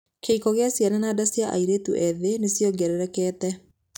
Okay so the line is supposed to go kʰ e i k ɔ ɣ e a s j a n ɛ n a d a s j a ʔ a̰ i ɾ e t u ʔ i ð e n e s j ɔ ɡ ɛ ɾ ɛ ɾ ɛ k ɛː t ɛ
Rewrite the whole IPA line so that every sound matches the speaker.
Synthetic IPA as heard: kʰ e i k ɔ ɣ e a s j a n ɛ n a d a s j a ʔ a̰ i ɾ e t u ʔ ɛ ð e n e s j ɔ ɡ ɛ ɾ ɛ ɾ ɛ k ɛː t ɛ

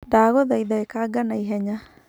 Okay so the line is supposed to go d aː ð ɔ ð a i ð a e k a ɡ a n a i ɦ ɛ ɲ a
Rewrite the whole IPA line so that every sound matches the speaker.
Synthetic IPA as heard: d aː ɣ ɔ ð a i ð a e k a ɡ a n a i ɦ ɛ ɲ a

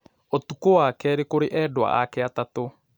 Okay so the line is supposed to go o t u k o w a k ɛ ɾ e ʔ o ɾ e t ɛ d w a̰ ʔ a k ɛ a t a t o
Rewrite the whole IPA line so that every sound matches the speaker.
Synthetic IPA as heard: o t u k o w a k ɛ ɾ e k o ɾ e ʔ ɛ d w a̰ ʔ a k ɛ a t a t o

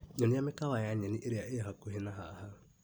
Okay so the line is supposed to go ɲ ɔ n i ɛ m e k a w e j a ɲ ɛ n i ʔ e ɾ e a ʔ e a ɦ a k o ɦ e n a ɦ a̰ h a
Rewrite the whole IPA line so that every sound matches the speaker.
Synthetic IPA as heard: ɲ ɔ n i a m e k a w a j a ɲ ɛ n i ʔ e ɾ e a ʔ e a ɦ a k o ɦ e n a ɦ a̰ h a

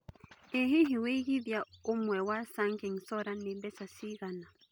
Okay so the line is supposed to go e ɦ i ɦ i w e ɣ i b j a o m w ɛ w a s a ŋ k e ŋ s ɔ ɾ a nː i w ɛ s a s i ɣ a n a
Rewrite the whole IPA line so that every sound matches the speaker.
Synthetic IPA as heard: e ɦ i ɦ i w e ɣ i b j a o m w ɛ w a s a ŋ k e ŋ s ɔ ɾ a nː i b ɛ s a s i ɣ a n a

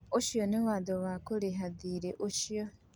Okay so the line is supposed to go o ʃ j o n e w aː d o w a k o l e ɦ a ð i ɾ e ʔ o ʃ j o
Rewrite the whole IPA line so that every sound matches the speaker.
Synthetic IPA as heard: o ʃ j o n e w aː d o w a k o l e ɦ a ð i ɾ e ʔ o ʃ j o

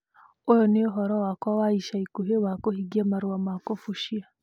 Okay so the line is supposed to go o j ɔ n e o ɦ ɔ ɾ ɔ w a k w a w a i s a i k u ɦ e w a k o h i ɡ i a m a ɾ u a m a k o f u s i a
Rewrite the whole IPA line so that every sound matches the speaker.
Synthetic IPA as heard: o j ɔ n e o ɦ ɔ ɾ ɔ w a k w a w a i ʃ a i k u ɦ e w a k o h i ɡ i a m a ɾ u a m a k o f u ʃ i a

